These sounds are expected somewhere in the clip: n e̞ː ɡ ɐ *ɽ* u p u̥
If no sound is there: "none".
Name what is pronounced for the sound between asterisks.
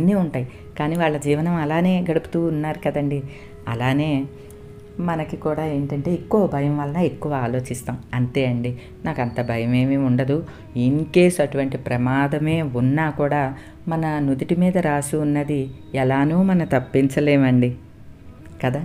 ɽ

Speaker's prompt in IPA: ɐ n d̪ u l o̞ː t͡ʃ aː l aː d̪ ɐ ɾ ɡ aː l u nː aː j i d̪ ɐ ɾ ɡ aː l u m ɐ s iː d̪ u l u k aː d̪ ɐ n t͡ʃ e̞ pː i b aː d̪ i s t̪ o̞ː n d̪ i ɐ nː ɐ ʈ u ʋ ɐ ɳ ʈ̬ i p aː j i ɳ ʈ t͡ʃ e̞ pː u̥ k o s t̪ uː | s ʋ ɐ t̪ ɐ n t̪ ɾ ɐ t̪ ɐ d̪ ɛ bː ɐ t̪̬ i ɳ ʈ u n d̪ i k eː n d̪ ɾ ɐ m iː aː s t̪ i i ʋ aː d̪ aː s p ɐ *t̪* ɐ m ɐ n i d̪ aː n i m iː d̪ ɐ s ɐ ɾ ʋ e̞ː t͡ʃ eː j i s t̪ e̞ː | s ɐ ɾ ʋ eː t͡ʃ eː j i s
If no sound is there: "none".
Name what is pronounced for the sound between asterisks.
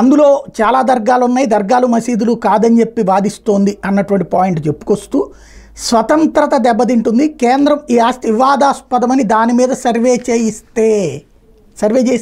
d̪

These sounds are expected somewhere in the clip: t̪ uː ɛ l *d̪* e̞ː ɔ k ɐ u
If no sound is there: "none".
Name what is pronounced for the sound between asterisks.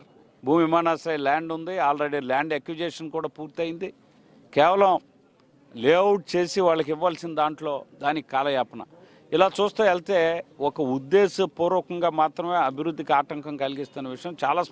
t̪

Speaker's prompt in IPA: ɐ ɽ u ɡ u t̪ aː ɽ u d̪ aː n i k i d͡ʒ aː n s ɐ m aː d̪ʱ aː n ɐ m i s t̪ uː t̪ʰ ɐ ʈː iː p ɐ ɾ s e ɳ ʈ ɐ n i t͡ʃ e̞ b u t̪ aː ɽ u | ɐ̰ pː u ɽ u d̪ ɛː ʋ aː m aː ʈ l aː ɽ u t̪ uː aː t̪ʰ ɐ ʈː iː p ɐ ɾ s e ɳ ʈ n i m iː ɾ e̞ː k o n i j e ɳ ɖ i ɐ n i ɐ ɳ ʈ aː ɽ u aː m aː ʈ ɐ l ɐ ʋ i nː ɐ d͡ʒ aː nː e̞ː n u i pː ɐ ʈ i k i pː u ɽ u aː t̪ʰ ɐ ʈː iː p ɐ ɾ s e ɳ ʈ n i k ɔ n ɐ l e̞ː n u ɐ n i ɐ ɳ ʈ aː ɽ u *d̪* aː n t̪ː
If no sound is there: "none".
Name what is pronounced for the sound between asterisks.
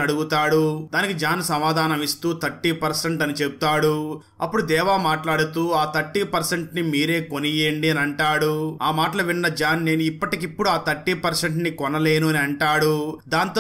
d̪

